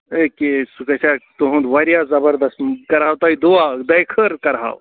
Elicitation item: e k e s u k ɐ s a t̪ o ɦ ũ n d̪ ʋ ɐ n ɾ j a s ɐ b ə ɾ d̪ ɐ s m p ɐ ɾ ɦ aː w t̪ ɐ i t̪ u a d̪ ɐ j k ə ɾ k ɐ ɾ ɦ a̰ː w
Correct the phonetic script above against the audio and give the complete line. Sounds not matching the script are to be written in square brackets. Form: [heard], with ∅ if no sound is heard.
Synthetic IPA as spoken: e k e s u k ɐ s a t̪ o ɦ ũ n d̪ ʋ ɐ [∅] ɾ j a [z] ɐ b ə ɾ d̪ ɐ s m [k] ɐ ɾ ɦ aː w t̪ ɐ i [d̪] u a d̪ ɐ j [kʰ] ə ɾ k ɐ ɾ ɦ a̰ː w